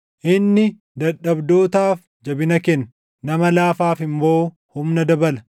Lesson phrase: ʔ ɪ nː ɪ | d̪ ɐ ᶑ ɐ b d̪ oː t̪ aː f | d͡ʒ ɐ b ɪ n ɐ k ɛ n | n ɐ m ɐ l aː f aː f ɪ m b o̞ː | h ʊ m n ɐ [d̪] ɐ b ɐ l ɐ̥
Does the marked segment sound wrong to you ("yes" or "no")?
no